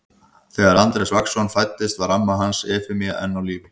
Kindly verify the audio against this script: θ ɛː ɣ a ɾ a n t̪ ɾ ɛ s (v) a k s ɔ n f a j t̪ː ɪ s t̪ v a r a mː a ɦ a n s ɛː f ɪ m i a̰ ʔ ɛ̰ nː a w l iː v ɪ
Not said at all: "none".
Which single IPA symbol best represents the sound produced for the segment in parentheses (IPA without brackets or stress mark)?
v